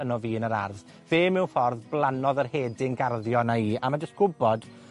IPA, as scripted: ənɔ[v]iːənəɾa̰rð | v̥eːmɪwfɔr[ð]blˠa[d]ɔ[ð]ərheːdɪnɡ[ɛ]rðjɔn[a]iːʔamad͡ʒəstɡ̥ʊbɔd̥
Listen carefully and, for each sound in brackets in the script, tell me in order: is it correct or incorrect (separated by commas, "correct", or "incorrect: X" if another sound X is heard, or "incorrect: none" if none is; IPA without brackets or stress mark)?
correct, correct, incorrect: n, correct, incorrect: a, correct